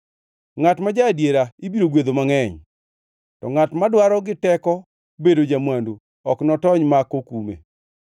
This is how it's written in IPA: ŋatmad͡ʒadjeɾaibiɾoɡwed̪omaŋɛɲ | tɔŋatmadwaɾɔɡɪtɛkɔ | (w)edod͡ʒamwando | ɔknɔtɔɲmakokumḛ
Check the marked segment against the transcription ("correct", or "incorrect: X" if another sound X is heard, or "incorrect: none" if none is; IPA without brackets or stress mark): incorrect: b